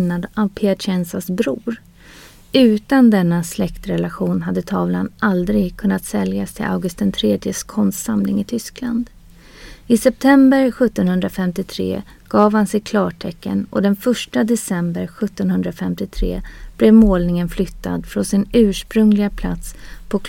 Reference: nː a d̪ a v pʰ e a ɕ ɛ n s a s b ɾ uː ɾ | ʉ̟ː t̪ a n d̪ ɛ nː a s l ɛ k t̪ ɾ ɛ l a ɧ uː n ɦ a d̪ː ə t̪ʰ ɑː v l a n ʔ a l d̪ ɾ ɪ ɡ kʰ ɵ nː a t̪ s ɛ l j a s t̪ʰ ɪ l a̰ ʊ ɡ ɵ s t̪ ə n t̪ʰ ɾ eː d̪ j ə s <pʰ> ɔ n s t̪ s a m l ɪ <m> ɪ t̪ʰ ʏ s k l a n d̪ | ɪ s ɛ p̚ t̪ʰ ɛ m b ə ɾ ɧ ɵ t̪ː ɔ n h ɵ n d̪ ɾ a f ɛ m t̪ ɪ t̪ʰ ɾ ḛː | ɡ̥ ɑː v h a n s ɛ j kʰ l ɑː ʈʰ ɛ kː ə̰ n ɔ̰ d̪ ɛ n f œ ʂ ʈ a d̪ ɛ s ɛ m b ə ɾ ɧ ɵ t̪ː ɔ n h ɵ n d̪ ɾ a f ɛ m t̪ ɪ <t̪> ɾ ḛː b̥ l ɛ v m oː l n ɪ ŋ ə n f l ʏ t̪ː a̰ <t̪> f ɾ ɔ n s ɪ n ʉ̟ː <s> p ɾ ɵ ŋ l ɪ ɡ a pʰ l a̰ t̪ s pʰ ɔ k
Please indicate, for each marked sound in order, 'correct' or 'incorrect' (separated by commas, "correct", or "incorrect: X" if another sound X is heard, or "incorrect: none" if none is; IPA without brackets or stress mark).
incorrect: kʰ, incorrect: ŋ, incorrect: t̪ʰ, incorrect: d̪, incorrect: ʂ